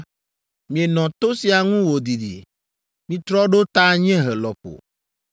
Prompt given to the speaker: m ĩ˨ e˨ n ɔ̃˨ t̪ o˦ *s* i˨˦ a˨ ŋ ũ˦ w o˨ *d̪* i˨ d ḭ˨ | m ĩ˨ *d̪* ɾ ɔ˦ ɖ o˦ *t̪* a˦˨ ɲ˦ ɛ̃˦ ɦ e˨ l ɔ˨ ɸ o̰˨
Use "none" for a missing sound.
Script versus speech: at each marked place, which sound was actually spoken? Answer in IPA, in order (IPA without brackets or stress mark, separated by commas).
s, d̪, t̪, t̪